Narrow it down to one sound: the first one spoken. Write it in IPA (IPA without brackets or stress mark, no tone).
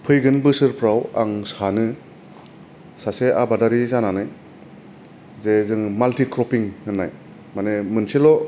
pʰ